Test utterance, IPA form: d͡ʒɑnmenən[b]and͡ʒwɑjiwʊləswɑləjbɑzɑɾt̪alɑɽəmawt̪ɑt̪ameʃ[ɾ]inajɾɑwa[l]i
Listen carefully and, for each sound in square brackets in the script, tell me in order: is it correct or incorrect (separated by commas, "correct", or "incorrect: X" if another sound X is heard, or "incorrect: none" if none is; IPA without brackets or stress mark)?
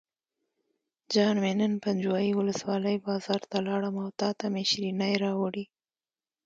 incorrect: p, correct, incorrect: ɽ